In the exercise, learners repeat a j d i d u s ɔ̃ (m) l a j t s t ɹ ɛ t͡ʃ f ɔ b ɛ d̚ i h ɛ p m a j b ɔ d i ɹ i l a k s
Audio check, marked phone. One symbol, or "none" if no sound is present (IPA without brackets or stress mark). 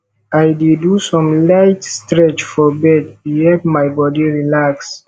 m